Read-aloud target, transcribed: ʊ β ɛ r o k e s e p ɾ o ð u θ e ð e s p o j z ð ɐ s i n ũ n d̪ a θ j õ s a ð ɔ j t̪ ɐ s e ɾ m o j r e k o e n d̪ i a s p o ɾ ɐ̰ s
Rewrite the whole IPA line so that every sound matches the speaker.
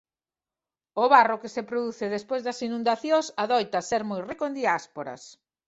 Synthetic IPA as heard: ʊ β a r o k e s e p ɾ o ð u θ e ð e s p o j z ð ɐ s i n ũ n d̪ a θ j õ s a ð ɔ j t̪ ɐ s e ɾ m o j r e k o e n d̪ i a s p o ɾ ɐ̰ s